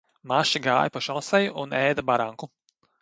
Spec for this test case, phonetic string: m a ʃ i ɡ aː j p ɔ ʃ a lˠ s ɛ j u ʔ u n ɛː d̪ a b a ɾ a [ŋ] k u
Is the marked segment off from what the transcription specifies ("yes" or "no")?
no